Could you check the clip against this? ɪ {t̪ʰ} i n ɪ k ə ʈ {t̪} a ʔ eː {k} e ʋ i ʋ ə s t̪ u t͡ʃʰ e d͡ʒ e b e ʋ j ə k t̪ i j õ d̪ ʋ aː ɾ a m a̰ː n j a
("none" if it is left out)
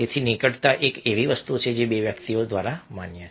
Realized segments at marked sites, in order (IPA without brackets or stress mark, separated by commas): t̪ʰ, t̪, k